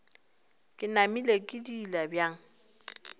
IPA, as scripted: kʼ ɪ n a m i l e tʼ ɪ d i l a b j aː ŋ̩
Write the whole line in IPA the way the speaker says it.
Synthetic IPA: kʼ ɪ n a m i l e kʼ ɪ d i l a b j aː ŋ̩